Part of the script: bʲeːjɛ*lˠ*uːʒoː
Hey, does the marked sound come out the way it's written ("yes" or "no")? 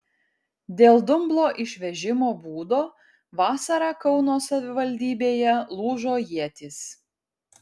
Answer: yes